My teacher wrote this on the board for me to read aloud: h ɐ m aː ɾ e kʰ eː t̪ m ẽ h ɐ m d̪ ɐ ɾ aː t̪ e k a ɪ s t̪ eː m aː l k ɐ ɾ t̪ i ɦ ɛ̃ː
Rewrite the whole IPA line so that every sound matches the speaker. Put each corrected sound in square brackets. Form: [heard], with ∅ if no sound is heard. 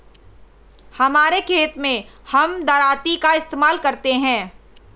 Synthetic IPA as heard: h ɐ m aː ɾ e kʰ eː t̪ m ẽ h ɐ m d̪ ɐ ɾ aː t̪ [i] k a ɪ s t̪ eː m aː l k ɐ ɾ t̪ [e] ɦ ɛ̃ː